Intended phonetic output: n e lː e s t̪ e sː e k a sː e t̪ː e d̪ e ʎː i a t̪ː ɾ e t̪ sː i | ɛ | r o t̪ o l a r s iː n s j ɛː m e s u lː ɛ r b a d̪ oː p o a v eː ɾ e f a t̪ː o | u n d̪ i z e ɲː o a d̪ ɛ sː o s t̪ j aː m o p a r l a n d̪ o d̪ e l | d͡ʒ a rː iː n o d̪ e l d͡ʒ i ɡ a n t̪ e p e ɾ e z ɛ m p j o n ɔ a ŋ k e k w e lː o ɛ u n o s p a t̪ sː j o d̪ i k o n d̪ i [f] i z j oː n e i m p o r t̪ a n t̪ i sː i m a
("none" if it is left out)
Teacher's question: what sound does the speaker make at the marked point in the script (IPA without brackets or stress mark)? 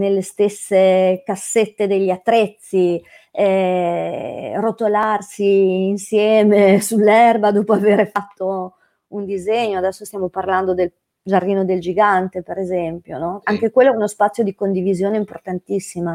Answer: v